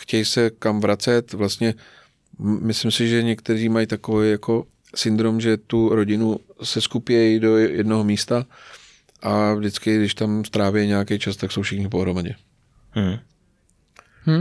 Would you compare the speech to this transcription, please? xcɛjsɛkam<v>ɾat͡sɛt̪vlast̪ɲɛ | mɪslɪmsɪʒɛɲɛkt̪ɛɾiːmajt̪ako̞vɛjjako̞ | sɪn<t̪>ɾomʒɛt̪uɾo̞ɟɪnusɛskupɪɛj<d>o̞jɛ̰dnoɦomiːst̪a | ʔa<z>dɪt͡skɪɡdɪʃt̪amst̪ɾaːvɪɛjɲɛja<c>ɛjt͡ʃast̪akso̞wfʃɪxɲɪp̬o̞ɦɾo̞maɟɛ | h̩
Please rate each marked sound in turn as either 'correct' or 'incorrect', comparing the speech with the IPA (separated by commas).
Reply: correct, incorrect, correct, incorrect, incorrect